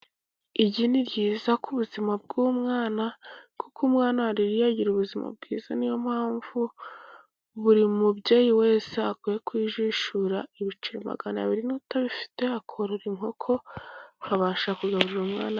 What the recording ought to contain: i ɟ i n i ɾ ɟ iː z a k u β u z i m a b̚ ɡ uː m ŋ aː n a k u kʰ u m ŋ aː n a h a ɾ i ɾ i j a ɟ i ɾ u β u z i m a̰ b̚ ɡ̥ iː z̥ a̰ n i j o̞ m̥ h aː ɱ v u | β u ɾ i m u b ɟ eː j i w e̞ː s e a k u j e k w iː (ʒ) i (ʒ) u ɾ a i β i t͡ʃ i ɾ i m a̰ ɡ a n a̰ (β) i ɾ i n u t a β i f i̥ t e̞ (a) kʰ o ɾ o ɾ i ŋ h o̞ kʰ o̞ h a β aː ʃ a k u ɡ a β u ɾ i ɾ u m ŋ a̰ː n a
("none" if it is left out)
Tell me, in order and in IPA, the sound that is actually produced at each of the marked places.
ʒ, ʃ, β, a

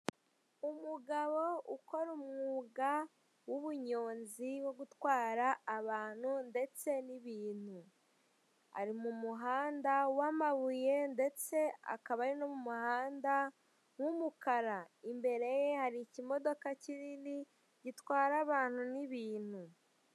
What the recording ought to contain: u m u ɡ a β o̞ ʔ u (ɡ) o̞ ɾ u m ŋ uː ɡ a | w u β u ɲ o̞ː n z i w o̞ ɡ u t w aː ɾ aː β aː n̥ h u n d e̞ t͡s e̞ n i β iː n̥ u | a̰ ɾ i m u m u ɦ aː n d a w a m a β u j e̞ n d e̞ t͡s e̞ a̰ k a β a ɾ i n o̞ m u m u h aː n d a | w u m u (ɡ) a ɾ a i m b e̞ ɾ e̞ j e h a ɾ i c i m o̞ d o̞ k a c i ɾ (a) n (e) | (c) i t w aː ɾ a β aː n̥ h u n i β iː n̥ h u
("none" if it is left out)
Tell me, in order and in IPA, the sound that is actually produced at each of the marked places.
k, k, i, i, ɟ

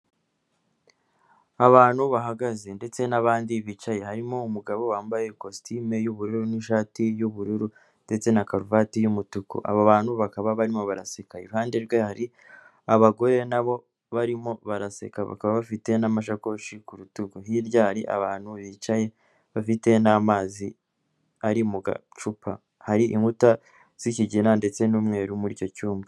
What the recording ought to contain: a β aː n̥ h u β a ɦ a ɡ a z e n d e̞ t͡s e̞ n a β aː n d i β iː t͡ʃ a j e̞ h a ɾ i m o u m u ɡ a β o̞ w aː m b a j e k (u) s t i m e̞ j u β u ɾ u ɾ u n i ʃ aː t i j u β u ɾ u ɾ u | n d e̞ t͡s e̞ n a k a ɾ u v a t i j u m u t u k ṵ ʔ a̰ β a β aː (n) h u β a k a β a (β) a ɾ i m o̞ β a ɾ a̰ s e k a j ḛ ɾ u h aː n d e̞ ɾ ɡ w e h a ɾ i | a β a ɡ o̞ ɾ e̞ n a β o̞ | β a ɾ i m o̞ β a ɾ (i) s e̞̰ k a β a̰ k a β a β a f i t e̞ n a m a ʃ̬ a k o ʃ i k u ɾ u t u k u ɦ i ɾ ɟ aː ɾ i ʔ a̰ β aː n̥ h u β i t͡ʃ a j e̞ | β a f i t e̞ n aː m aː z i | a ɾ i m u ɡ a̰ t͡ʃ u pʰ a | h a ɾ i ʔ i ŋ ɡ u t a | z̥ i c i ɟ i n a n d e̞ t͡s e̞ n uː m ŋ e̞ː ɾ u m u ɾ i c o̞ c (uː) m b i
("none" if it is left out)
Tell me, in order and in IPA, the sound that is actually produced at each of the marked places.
o, n, β, a, uː

